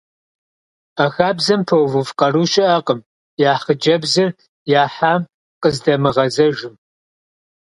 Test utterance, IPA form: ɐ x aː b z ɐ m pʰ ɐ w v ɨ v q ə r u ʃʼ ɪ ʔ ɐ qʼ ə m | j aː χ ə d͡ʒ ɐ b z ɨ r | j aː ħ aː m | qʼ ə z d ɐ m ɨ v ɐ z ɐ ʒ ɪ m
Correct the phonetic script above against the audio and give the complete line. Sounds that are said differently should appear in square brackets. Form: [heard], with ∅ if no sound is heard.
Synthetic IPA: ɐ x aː b z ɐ m pʰ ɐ w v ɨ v q [ɐ] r u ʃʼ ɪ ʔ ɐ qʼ ə m | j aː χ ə d͡ʒ ɐ b z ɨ r | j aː ħ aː m | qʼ ə z d ɐ m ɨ [ʁ] ɐ z ɐ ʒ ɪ m